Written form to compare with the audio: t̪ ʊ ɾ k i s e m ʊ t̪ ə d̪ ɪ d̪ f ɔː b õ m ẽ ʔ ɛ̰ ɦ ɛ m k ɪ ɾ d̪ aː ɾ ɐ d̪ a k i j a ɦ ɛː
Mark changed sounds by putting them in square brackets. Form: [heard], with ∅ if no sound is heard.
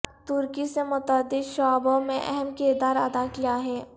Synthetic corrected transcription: t̪ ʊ ɾ k i s e m ʊ t̪ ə d̪ ɪ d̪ [ʃ] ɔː b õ m ẽ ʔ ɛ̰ ɦ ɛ m k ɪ ɾ d̪ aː ɾ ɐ d̪ a k i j a ɦ ɛː